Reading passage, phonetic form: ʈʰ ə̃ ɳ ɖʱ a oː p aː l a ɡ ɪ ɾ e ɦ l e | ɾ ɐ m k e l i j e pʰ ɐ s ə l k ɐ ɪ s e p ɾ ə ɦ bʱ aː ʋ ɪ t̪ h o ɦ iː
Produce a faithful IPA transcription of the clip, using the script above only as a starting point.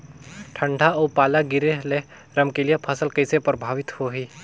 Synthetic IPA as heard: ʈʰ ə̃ ɳ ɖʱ a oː p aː l a ɡ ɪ ɾ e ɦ l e | ɾ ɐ m k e l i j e pʰ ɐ s ə l k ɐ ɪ s e p ɾ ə bʱ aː ʋ ɪ t̪ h o ɦ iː